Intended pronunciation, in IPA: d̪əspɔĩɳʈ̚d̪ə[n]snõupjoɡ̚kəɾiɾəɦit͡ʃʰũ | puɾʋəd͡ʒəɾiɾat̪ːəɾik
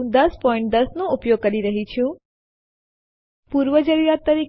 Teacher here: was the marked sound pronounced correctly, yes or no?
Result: no